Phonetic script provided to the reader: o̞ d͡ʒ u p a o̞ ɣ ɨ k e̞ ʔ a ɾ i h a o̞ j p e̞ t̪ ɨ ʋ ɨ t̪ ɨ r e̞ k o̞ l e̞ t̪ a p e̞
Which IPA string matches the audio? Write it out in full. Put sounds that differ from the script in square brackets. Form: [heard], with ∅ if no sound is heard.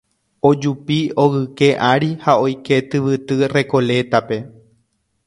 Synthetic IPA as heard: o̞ d͡ʒ u p [i] o̞ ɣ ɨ k e̞ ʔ a ɾ i h a o̞ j [k] e̞ t̪ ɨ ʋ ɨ t̪ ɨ r e̞ k o̞ l e̞ t̪ a p e̞